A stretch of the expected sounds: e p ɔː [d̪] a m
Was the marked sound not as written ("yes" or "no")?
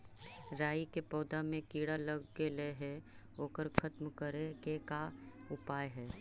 no